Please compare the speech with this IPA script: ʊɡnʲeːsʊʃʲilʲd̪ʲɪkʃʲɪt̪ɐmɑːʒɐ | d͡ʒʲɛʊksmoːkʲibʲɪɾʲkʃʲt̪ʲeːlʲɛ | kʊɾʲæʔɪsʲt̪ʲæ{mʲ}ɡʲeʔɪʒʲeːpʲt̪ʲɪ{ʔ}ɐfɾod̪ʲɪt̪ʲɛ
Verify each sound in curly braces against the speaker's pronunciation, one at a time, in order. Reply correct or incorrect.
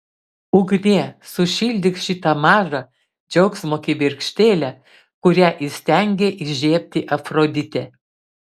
incorrect, correct

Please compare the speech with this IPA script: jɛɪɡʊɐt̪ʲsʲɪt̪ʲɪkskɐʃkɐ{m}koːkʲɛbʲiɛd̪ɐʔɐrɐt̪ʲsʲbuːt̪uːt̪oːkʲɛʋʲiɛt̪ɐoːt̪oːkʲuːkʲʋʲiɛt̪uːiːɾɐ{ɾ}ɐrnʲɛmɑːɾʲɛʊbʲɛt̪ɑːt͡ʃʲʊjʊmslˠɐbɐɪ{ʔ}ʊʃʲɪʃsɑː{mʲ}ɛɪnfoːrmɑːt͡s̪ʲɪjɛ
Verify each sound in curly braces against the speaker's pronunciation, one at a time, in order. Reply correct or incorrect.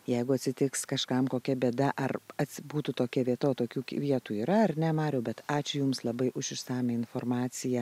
correct, incorrect, correct, correct

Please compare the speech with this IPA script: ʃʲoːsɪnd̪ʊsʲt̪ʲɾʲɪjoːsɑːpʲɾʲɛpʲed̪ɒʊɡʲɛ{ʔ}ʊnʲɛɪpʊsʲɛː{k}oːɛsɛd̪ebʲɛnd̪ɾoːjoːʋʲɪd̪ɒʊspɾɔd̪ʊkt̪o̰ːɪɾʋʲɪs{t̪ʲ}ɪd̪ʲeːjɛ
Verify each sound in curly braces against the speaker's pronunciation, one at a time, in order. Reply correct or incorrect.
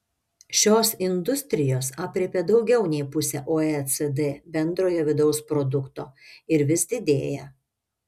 incorrect, incorrect, incorrect

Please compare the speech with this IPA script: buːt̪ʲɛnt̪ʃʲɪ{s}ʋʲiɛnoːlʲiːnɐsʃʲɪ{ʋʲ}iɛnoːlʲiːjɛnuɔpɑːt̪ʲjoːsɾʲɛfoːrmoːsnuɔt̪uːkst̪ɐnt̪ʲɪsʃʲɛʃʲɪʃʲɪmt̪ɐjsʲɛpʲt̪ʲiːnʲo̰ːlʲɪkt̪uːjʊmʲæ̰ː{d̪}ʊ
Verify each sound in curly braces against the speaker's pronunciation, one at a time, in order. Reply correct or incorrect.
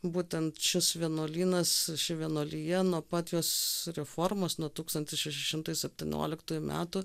correct, correct, incorrect

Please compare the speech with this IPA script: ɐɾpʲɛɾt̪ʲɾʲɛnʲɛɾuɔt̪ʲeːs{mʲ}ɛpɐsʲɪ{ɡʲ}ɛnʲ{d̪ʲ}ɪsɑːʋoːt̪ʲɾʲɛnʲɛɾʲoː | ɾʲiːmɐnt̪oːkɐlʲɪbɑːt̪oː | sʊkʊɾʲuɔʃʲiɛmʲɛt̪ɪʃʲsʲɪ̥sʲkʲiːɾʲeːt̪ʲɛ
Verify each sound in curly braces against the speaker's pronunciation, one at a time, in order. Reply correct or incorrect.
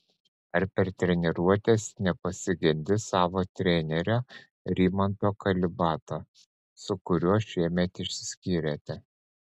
incorrect, correct, correct

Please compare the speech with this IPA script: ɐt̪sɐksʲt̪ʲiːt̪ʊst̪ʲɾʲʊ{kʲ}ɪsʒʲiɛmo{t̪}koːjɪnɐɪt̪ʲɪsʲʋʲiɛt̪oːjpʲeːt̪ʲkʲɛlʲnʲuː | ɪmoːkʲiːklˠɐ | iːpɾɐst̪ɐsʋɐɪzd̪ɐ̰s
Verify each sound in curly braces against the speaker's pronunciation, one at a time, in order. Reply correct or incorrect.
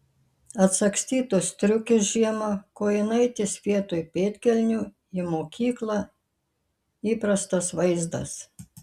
correct, incorrect

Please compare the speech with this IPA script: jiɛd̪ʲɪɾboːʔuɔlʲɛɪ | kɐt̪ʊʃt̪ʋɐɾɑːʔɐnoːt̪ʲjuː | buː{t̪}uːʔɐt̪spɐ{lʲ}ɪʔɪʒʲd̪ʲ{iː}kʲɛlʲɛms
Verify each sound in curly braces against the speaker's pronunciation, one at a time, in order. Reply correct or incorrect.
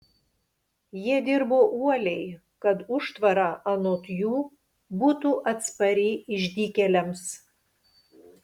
correct, incorrect, correct

